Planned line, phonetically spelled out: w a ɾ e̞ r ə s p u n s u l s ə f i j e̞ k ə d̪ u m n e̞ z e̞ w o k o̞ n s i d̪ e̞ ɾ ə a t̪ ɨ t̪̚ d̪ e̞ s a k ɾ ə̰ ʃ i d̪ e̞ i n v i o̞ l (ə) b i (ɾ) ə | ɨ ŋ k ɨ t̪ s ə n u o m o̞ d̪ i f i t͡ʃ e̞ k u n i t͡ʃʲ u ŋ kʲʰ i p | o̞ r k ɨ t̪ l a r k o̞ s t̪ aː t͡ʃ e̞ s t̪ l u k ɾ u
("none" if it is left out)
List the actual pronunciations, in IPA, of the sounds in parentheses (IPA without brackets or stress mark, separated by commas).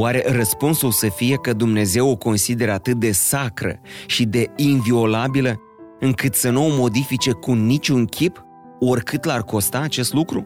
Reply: a, l